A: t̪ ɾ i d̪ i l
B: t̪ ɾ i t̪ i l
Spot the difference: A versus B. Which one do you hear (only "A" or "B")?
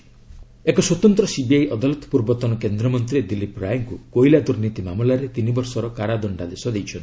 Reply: A